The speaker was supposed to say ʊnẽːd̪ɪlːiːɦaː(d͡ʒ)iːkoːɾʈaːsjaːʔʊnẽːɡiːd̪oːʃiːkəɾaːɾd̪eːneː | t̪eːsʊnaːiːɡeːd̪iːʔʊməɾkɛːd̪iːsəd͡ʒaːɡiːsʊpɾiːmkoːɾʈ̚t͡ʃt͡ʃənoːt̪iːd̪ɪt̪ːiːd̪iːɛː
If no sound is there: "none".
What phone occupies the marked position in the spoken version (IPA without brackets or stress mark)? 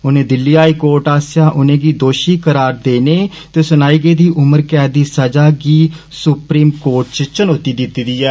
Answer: none